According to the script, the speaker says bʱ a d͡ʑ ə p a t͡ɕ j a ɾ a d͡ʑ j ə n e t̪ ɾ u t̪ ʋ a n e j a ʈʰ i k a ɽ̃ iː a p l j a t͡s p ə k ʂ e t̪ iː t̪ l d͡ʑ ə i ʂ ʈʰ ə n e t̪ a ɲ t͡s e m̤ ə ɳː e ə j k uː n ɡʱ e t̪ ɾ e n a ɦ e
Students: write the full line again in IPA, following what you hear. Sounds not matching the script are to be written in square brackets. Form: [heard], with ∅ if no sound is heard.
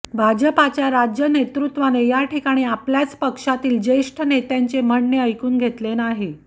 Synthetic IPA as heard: bʱ a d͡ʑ ə p a t͡ɕ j a ɾ a d͡ʑ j ə n e t̪ ɾ u t̪ ʋ a n e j a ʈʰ i k a ɽ̃ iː a p l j a t͡s p ə k ʂ [a] t̪ iː [∅] l d͡ʑ ə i ʂ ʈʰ ə n e t̪ a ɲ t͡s e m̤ ə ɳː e ə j k uː n ɡʱ e t̪ [l] e n a ɦ e

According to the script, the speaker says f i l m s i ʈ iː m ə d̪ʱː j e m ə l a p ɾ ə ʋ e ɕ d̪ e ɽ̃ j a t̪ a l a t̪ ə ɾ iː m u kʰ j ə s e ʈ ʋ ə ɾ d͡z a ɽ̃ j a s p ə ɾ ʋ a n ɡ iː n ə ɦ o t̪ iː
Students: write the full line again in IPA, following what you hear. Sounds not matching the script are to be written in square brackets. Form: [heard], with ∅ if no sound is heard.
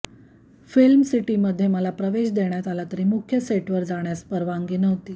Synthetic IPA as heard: f i l m s i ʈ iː m ə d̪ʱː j e m ə l a p ɾ ə ʋ e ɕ d̪ e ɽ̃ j a t̪ a l a t̪ ə ɾ iː m u kʰ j ə s e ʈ ʋ ə ɾ d͡z a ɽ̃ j a s p ə ɾ ʋ a [ŋ] ɡ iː n ə ɦ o t̪ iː

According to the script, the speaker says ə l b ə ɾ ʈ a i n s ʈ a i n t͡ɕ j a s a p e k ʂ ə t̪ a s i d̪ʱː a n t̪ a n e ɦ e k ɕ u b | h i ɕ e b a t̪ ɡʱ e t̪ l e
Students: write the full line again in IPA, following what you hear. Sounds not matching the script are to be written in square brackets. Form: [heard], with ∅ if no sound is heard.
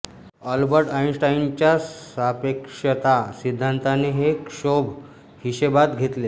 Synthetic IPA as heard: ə l b ə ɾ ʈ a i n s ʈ a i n t͡ɕ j a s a p e k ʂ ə t̪ a s i d̪ʱː a n t̪ a n e ɦ e k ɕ [o] b | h i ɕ e b a t̪ ɡʱ e t̪ l e

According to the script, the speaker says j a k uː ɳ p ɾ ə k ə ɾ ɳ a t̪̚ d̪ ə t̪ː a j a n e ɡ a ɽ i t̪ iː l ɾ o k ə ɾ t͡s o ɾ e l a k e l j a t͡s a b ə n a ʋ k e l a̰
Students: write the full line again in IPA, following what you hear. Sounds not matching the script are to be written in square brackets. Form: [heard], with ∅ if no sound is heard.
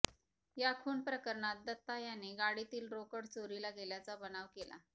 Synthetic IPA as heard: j a [kʰ] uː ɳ p ɾ ə k ə ɾ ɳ a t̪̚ d̪ ə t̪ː a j a n e ɡ a ɽ i t̪ iː l ɾ o k ə [ɽ] t͡s o ɾ [i] l a [ɡ] e l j a t͡s a b ə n a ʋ k e l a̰

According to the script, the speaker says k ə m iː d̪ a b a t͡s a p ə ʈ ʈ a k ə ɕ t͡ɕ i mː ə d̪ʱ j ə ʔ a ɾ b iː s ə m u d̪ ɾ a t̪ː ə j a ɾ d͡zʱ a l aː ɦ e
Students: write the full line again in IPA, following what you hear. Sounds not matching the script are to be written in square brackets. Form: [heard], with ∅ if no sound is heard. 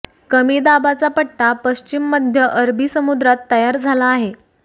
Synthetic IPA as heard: k ə m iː d̪ a b a t͡s a p ə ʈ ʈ a [p] ə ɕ t͡ɕ i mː ə d̪ʱ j ə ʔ [ə] ɾ b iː s ə m u d̪ ɾ a t̪ː ə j a ɾ d͡zʱ a l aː ɦ e

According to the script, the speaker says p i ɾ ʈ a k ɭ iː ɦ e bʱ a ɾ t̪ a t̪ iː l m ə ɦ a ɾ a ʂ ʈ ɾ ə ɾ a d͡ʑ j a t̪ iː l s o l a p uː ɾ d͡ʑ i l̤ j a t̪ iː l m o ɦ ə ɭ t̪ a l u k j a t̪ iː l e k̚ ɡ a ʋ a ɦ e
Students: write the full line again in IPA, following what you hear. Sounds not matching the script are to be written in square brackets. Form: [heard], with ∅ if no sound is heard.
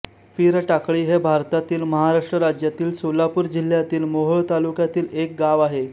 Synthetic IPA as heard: p i ɾ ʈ a k ɭ iː ɦ e bʱ a ɾ t̪ a t̪ iː l m ə ɦ a ɾ a ʂ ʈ ɾ ə ɾ a d͡ʑ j a t̪ iː l s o l a p uː ɾ d͡ʑ i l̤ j a t̪ iː l m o ɦ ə ɭ t̪ a l u k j a t̪ iː l e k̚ ɡ a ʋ a ɦ e

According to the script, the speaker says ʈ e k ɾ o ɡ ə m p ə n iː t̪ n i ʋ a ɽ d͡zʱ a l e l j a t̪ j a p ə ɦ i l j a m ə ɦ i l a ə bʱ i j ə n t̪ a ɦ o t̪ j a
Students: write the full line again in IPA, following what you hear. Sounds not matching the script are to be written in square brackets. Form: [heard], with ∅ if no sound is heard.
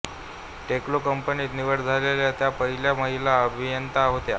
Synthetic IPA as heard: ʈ e k [l] o [k] ə m p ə n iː t̪ n i ʋ [ə] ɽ d͡zʱ a l e l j a t̪ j a p ə ɦ i l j a m ə ɦ i l a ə bʱ i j ə n t̪ a ɦ o t̪ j a

